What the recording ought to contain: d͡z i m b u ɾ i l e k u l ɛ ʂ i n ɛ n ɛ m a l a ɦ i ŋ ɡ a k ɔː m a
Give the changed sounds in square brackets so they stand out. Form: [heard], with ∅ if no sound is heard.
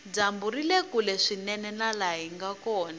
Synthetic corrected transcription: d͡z [a] m b u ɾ i l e k u l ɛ ʂ i n ɛ n ɛ [n] a l a ɦ i ŋ ɡ a k ɔː [n] a